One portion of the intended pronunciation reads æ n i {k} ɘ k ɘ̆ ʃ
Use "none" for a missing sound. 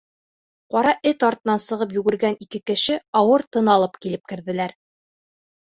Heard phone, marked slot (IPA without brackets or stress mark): k